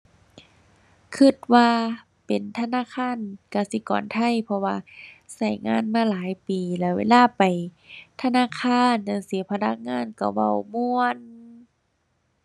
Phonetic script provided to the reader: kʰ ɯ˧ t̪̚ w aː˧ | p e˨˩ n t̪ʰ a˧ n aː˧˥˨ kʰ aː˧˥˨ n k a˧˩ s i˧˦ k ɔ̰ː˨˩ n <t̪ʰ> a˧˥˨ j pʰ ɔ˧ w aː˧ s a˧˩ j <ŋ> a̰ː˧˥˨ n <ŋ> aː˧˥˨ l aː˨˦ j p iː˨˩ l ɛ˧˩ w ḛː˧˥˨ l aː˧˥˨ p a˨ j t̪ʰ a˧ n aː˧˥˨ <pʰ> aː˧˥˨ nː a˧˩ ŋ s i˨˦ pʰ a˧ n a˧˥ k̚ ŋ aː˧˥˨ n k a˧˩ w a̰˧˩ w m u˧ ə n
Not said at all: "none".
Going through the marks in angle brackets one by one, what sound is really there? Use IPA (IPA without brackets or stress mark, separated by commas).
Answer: t̪ʰ, ŋ, m, kʰ